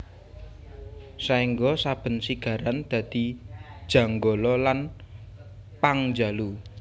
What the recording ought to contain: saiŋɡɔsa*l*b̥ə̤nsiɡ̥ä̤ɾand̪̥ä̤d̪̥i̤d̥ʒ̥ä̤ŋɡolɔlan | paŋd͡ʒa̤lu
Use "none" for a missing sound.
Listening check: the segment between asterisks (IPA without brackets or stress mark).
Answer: none